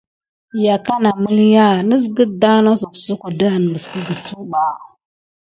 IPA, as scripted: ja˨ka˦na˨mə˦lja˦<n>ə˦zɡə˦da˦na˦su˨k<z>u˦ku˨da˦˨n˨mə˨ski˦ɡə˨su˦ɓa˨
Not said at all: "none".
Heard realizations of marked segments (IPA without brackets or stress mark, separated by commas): n, s